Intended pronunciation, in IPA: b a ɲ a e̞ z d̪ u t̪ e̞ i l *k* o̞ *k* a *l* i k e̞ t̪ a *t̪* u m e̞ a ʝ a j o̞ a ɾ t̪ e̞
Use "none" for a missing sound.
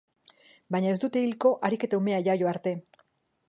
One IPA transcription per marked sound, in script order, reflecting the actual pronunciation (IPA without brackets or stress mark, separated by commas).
k, ʔ, ɾ, none